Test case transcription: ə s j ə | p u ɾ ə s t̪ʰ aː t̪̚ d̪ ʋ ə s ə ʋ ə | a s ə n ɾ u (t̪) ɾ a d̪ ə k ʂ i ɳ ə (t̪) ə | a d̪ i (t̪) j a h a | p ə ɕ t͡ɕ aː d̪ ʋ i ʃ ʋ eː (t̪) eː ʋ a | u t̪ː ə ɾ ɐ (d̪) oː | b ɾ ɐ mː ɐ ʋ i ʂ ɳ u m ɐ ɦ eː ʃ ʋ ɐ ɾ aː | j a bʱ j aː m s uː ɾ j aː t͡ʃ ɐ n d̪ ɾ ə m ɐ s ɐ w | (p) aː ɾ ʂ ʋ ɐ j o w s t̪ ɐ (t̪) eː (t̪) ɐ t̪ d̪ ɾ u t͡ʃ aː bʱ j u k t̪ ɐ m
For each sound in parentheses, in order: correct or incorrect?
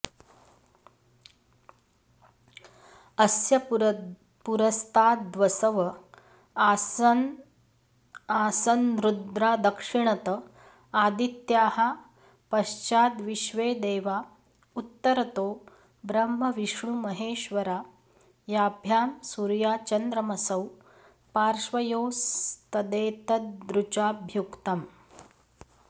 incorrect: d̪, correct, correct, incorrect: d̪, incorrect: t̪, correct, incorrect: d̪, correct

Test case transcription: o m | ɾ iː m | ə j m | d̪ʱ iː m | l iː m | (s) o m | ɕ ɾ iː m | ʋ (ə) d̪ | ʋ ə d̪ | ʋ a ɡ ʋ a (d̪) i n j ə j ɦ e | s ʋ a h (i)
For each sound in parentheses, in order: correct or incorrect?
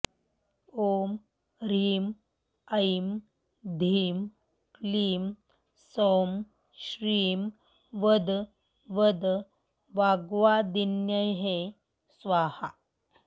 correct, correct, correct, incorrect: a

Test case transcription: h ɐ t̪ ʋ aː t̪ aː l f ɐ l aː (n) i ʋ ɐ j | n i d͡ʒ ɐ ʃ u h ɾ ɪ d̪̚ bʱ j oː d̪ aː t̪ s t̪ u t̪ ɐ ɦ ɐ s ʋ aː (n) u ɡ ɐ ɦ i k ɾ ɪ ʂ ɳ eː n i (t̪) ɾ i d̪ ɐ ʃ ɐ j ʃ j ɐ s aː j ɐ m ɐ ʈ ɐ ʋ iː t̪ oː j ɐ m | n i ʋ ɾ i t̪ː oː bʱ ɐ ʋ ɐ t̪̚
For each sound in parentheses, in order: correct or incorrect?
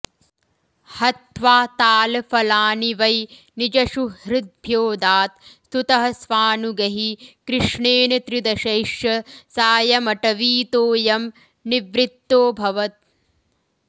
correct, correct, correct

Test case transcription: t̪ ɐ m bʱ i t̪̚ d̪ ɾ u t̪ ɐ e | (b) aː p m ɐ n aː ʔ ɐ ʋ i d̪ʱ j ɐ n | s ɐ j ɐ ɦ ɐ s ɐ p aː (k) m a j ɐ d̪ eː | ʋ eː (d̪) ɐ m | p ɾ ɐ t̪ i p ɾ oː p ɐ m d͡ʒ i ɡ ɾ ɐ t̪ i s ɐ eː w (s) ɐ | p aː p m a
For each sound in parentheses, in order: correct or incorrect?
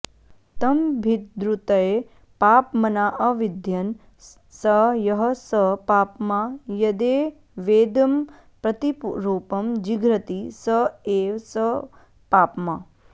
incorrect: p, incorrect: p, correct, correct

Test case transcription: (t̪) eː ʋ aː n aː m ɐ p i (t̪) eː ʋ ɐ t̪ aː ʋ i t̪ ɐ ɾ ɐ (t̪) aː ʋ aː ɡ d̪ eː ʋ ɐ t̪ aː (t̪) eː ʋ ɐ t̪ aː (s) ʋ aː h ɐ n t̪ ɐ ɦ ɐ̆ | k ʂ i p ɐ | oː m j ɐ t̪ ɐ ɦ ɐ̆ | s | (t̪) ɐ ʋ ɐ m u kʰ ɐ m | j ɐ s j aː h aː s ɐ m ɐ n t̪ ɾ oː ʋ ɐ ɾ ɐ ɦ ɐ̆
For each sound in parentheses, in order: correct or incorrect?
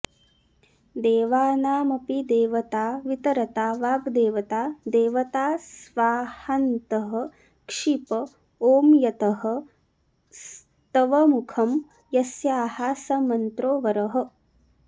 incorrect: d̪, incorrect: d̪, correct, incorrect: d̪, correct, correct

